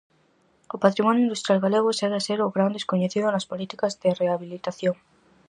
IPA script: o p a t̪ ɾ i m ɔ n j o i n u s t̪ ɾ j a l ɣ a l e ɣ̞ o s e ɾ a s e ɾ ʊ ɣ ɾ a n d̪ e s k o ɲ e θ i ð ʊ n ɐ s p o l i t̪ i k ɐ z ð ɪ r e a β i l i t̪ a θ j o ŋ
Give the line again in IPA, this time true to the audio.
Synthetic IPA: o p a t̪ ɾ i m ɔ n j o i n u s t̪ ɾ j a l ɣ a l e ɣ̞ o s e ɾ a s e ɾ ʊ ɣ ɾ a n d̪ e s k o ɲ e θ i ð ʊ n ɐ s p o l i t̪ i k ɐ z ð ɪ r e a β i l i t̪ a θ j o ŋ